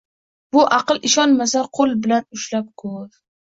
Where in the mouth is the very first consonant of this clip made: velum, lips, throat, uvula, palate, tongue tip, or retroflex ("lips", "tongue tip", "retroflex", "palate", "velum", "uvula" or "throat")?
lips